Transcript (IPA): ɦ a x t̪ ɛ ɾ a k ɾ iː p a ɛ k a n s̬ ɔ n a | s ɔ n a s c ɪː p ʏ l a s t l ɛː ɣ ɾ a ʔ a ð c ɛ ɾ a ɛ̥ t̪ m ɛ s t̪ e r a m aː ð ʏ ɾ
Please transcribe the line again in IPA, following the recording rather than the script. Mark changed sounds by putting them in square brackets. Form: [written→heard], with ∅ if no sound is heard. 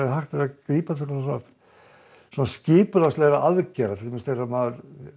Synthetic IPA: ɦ a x t̪ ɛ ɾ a k ɾ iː p a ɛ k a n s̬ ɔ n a | s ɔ n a s c ɪː p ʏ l a s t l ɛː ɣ ɾ a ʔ a ð c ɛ ɾ a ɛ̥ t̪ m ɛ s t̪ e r a m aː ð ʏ ɾ